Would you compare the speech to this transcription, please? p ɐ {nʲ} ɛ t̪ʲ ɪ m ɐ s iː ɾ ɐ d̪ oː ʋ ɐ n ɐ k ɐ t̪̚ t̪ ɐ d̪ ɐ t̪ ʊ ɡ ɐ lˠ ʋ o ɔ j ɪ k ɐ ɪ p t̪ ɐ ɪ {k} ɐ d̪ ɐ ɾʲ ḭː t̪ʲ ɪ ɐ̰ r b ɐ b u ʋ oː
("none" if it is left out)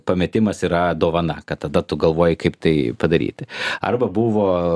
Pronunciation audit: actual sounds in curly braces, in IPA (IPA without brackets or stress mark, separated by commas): mʲ, p